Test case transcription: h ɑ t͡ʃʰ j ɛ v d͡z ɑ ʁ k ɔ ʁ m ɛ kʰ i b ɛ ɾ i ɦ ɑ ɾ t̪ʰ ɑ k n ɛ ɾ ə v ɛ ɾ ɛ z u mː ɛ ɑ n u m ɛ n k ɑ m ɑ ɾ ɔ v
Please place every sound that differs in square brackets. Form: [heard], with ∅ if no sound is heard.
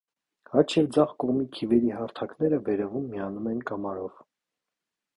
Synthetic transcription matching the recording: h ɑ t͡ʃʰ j ɛ v d͡z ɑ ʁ k ɔ ʁ m [i] kʰ i [v] ɛ ɾ i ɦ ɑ ɾ t̪ʰ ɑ k n ɛ ɾ ə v ɛ ɾ ɛ [v] u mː [i] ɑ n u m ɛ n k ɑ m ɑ ɾ ɔ v